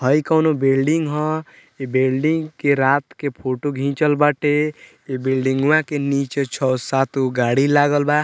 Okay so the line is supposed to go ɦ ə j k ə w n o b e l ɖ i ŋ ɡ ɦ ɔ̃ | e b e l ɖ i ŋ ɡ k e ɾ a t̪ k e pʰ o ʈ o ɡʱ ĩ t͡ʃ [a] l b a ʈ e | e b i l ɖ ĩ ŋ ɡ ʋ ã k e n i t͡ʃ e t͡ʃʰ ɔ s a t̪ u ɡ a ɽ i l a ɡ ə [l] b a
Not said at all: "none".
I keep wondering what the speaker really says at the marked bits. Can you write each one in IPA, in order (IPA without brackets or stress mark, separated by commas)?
ə, l